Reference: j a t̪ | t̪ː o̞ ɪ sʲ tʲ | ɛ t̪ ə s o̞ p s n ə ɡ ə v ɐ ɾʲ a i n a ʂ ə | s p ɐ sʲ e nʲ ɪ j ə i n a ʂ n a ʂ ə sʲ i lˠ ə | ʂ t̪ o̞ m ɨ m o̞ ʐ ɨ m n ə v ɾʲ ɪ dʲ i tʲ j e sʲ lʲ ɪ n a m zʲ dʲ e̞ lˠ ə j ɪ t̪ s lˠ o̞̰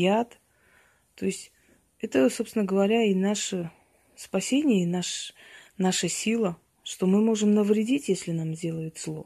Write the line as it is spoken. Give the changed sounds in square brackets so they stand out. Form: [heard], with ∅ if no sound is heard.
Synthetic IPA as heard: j a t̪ | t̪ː o̞ ɪ sʲ tʲ | ɛ t̪ ə s o̞ p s n ə ɡ ə v ɐ ɾʲ a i n a ʂ ə | s p ɐ sʲ e nʲ ɪ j ə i n a ʂ n a ʂ ə sʲ i lˠ ə | ʂ t̪ o̞ m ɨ m o̞ ʐ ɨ m n ə v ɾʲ ɪ dʲ i tʲ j e sʲ lʲ ɪ n a m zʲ dʲ e̞ lˠ ə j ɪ t̪ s lˠ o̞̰